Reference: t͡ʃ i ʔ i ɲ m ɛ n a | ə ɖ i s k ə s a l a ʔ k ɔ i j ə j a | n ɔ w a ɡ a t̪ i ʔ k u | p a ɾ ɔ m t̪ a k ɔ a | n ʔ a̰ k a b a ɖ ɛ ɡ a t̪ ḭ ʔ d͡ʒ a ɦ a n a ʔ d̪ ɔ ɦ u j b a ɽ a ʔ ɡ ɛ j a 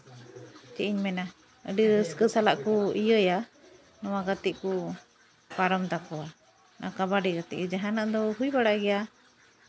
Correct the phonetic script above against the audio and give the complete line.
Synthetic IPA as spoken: t͡ʃ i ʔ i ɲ m ɛ n a | ə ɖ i s k ə s a l a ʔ k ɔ i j ə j a | n ɔ w a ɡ a t̪ i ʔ k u | p a ɾ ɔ m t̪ a k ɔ a | n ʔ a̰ k a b a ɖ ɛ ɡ a t̪ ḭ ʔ d͡ʒ a ɦ a n a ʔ d̪ ɔ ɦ u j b a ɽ a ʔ ɡ ɛ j a